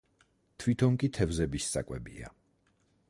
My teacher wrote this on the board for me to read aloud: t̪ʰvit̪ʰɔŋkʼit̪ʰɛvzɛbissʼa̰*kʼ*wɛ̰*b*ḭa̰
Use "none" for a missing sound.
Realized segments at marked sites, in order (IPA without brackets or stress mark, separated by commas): kʼ, b